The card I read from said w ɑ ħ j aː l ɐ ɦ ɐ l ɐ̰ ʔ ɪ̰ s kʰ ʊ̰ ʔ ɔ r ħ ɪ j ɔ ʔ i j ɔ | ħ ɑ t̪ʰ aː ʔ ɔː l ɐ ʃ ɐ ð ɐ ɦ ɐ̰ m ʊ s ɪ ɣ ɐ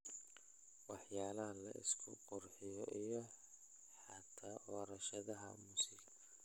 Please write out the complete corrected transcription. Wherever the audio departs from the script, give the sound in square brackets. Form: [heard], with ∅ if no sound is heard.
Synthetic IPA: w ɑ ħ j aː l ɐ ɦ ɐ l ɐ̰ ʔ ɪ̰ s kʰ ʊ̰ [q] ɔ r ħ ɪ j ɔ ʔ i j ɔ | ħ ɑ t̪ʰ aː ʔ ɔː [ɾ] ɐ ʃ ɐ ð ɐ ɦ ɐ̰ m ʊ s ɪ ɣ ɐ